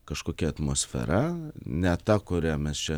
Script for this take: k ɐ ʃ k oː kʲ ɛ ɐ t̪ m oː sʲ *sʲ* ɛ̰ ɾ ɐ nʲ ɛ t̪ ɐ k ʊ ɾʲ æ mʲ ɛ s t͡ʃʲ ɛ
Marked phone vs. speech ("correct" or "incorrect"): incorrect